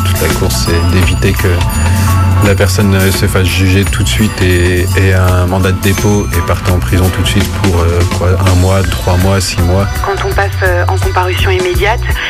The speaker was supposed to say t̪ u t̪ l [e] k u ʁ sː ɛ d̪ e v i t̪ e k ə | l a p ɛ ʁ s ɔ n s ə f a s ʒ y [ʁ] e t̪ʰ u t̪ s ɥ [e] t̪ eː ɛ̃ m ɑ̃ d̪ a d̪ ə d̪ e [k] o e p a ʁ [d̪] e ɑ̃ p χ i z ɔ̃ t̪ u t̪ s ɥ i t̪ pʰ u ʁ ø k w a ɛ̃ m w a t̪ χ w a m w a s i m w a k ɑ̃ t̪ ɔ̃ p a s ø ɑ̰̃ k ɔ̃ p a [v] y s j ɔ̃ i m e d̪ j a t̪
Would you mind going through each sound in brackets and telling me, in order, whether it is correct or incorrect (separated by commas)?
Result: incorrect, incorrect, incorrect, incorrect, incorrect, incorrect